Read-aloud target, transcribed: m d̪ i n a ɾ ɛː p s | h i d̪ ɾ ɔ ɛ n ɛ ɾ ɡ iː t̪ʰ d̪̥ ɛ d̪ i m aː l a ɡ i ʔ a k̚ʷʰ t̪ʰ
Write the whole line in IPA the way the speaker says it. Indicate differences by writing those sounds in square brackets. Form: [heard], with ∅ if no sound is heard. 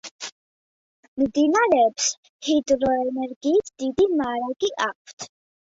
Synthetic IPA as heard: m d̪ i n a ɾ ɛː p s | h i d̪ ɾ ɔ ɛ n ɛ ɾ ɡ iː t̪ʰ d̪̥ [i] d̪ i m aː [ɾ] a ɡ i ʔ a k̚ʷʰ t̪ʰ